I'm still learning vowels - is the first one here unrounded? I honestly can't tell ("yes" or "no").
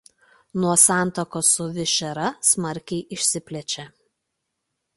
no